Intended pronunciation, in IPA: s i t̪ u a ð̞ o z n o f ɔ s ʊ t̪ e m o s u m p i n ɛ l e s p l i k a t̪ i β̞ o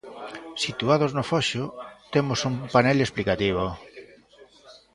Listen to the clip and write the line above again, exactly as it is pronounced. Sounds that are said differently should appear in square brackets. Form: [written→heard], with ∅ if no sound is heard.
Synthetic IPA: s i t̪ u a ð̞ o z n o f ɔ [s→ʃ] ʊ t̪ e m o s u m p [i→a] n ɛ l e s p l i k a t̪ i β̞ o